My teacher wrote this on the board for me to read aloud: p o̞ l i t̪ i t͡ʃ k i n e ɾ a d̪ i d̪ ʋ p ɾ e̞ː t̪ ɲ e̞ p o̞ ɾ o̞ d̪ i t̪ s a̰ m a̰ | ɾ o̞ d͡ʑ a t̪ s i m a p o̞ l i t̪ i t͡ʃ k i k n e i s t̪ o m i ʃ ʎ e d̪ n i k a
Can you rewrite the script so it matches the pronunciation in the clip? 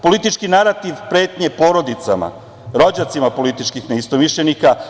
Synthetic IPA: p o̞ l i t̪ i t͡ʃ k i n a ɾ a t̪ i ʋ p ɾ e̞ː t̪ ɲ e̞ p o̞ ɾ o̞ d̪ i t̪ s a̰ m a̰ | ɾ o̞ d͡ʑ a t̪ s i m a p o̞ l i t̪ i t͡ʃ k i x n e i s t̪ o m i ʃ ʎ e n i k a